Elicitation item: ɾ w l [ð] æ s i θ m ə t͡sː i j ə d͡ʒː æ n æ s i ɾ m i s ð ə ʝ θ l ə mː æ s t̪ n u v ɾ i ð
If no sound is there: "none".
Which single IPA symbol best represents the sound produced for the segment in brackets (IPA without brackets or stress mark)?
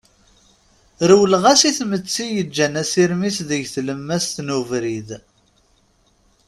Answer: ʁ